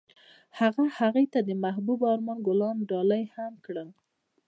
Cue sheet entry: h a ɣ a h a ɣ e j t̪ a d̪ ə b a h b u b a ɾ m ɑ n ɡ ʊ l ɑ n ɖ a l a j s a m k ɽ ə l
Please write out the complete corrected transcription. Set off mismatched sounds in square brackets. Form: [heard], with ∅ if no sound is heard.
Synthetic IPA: h a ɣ a h a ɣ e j t̪ a d̪ ə [m] a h b u b [ɑ] ɾ m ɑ n ɡ ʊ l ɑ n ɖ [ɑ] l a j [h] a m k ɽ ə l